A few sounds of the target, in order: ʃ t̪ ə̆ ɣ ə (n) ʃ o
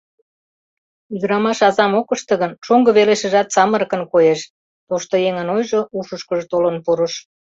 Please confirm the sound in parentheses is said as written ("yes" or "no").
yes